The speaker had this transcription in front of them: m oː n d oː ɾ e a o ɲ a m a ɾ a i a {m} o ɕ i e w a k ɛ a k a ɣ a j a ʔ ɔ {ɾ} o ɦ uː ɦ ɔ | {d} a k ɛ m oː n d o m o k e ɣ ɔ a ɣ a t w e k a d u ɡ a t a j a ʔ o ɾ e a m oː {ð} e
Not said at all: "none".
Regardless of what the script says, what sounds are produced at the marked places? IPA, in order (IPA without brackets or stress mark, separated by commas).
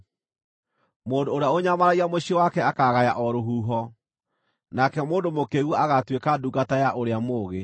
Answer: m, ɾ, n, ɣ